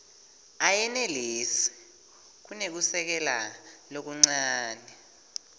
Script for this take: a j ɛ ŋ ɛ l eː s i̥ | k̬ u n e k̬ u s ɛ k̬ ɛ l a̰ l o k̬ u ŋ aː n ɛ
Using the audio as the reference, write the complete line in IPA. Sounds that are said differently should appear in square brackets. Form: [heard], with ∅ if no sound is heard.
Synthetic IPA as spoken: a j ɛ [n] ɛ l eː s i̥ | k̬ u n e k̬ u s ɛ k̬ ɛ l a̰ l o k̬ u [ŋ͡ǀ] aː n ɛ